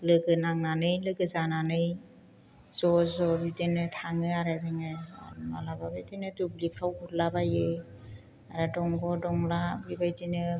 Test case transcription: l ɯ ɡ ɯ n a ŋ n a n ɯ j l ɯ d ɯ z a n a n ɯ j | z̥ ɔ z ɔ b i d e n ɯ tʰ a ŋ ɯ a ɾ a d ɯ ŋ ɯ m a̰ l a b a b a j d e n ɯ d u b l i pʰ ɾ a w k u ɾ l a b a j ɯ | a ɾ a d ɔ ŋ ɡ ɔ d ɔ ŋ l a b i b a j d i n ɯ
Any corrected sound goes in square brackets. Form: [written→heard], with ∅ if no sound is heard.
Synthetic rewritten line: l ɯ ɡ ɯ n a ŋ n a n ɯ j l ɯ [d→ɡ] ɯ z a n a n ɯ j | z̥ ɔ z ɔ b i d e n ɯ tʰ a ŋ ɯ a ɾ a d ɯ ŋ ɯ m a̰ l a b a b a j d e n ɯ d u b l i pʰ ɾ a w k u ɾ l a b a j ɯ | a ɾ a d ɔ ŋ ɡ ɔ d ɔ ŋ l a b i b a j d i n ɯ